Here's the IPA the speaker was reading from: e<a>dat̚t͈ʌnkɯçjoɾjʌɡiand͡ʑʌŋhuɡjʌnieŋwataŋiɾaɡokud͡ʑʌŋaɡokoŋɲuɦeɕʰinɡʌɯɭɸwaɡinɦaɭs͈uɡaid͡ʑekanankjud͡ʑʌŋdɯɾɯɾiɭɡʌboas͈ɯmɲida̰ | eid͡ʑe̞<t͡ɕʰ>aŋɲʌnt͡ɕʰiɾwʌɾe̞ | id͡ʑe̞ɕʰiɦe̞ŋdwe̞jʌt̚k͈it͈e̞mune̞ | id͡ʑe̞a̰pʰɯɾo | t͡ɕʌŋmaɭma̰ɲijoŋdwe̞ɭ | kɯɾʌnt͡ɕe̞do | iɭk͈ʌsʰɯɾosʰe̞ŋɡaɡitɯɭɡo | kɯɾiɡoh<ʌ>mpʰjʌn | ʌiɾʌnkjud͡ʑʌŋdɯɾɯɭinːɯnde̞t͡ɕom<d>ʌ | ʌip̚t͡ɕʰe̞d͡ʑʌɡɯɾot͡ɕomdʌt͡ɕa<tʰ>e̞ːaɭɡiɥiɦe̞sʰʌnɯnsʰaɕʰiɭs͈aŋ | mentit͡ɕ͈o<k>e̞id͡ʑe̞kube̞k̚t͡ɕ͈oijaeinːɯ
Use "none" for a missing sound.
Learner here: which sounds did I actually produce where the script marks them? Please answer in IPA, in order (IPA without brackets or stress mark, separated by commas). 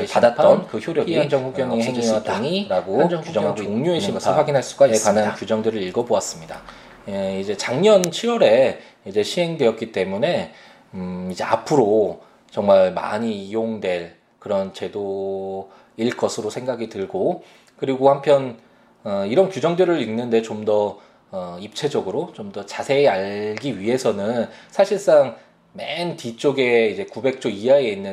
a, t͡ɕ, a, d, sʰ, ɡ